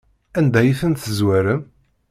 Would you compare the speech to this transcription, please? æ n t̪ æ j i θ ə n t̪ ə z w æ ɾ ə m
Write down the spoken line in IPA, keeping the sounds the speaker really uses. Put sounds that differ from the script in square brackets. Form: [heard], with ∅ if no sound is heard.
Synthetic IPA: æ n [d̪] æ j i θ ə n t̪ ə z w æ ɾ ə m